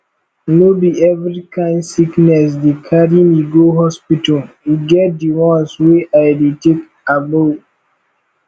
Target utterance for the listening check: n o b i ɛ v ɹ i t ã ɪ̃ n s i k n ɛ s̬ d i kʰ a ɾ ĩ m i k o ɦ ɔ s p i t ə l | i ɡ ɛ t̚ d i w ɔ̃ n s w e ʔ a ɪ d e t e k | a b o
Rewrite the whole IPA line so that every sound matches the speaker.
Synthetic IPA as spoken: n o b i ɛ v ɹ i k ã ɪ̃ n s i k n ɛ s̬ d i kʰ a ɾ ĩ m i ɡ o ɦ ɔ s p i t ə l | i ɡ ɛ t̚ d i w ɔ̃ n s w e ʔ a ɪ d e t e k | a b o